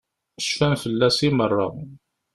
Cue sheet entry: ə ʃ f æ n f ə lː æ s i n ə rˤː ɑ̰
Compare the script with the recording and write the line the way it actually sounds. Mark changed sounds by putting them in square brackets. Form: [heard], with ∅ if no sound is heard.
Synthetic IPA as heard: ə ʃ f æ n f ə lː æ s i [m] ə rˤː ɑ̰